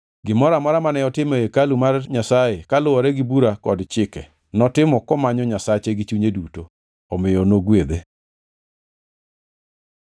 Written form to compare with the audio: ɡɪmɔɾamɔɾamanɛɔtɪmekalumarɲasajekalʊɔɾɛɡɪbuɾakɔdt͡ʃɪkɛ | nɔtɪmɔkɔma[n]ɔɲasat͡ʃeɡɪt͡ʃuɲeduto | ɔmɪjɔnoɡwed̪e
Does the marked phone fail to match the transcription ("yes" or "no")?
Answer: yes